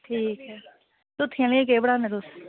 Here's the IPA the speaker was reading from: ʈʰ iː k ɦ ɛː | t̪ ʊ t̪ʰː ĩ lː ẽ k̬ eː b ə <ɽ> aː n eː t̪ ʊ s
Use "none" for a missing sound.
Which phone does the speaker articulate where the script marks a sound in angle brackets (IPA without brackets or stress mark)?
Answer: ɽ